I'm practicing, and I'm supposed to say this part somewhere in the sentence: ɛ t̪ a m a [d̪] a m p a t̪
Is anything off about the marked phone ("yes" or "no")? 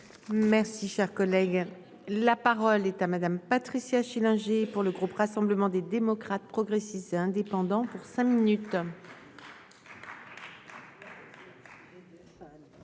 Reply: no